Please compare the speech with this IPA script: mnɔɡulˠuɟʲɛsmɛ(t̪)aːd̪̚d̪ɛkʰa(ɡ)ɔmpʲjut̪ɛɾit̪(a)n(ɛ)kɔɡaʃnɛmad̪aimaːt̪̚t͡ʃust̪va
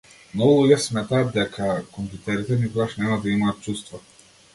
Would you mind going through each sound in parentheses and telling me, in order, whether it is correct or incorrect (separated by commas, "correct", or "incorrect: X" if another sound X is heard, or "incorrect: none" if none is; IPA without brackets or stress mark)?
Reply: correct, incorrect: k, incorrect: ɛ, incorrect: i